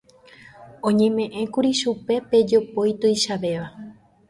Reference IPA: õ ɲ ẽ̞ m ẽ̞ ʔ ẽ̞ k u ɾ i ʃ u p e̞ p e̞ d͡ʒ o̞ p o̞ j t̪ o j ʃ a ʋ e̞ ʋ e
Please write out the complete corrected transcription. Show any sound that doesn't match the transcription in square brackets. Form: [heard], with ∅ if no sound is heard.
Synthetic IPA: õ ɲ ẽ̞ m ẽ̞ ʔ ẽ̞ k u ɾ i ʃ u p e̞ p e̞ d͡ʒ o̞ p o̞ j t̪ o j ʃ a ʋ e̞ ʋ [a]

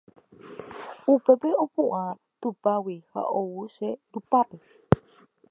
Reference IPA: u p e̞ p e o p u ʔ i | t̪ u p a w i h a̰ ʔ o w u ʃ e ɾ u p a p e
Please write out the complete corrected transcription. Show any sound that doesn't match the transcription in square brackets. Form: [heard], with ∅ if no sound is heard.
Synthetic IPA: u p e̞ p e o p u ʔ [a] | t̪ u p a w i h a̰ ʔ o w u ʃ e ɾ u p a p e

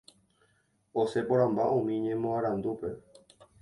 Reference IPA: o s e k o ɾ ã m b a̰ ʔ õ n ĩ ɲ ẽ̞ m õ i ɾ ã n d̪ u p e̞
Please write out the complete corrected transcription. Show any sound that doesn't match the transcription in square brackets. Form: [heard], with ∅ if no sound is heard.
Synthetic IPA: o s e [p] o ɾ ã m b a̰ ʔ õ [m] ĩ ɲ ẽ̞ m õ [a] ɾ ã n d̪ u p e̞

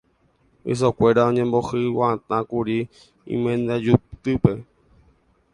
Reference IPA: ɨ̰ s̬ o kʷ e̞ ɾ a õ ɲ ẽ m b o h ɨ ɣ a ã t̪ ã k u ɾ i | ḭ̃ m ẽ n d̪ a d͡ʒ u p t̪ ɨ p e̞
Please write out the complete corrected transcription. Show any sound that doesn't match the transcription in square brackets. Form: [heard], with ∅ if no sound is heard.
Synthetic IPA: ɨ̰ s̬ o kʷ e̞ ɾ a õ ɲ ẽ m b o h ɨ [w] a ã t̪ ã k u ɾ i | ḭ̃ m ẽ n d̪ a d͡ʒ u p t̪ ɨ p e̞

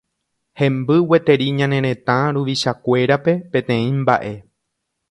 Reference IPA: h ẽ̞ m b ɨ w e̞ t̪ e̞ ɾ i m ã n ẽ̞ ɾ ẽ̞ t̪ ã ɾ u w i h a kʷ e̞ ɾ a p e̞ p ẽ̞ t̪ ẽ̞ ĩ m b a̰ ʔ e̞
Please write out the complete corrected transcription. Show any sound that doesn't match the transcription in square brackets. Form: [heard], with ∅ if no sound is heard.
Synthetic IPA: h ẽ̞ m b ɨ w e̞ t̪ e̞ ɾ i [ɲ] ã n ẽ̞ ɾ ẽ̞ t̪ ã ɾ u [ʋ] i [ʃ] a kʷ e̞ ɾ a p e̞ p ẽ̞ t̪ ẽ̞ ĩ m b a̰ ʔ e̞

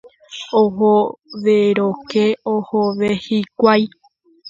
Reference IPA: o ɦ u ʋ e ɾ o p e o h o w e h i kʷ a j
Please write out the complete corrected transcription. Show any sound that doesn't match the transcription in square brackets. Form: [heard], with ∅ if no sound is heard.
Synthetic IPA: o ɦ [o] ʋ e ɾ o [k] e o h o [ʋ] e h i kʷ a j

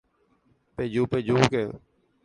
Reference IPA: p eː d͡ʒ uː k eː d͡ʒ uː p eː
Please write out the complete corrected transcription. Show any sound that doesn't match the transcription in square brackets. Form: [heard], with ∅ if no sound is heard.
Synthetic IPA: p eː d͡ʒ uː [p] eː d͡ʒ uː [k] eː

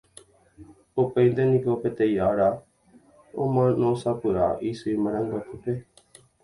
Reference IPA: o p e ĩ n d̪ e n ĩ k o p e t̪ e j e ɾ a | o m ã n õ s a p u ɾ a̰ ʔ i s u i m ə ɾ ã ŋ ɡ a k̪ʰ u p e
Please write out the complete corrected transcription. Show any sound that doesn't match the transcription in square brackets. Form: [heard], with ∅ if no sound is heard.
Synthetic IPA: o p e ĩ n d̪ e n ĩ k o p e t̪ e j [a] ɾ a | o m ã n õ s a p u ɾ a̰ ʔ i s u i m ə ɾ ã ŋ ɡ a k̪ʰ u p e

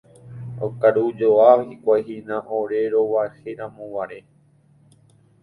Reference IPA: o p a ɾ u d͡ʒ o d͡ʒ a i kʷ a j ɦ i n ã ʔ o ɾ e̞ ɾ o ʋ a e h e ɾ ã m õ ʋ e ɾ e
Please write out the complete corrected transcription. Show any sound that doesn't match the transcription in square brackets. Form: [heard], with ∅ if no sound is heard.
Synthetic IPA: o [k] a ɾ u d͡ʒ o [∅] a i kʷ a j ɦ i n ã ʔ o ɾ e̞ ɾ o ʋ a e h e ɾ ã m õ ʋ [a] ɾ e

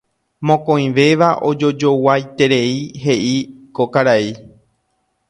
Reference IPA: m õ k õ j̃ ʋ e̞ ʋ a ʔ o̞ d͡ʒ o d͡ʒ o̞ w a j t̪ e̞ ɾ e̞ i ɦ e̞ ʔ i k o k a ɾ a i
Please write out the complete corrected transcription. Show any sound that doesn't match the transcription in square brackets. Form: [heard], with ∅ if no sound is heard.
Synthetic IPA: m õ k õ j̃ ʋ e̞ ʋ a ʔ o̞ d͡ʒ o d͡ʒ o̞ w a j t̪ e̞ ɾ e̞ i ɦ e̞ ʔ i k o k a ɾ a i

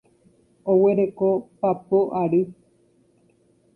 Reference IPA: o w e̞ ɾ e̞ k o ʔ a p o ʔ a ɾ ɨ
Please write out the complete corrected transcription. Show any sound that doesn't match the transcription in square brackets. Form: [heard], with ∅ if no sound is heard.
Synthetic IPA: o w e̞ ɾ e̞ k o [p] a p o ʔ a ɾ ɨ

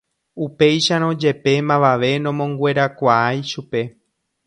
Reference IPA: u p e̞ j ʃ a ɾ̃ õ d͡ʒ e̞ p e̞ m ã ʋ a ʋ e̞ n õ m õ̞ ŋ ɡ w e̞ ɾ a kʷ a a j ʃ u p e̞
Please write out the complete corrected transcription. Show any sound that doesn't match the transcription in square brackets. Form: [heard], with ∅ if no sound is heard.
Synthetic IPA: u p e̞ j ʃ a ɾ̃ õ d͡ʒ e̞ p e̞ m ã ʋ a ʋ e̞ n õ m õ̞ ŋ ɡ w e̞ ɾ a kʷ a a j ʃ u p e̞

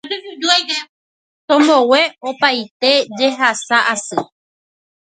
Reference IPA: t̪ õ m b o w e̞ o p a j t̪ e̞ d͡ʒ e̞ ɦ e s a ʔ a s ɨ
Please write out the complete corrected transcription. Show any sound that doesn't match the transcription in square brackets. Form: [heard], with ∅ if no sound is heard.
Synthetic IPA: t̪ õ m b o w e̞ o p a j t̪ e̞ d͡ʒ e̞ ɦ [a] s a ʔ a s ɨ

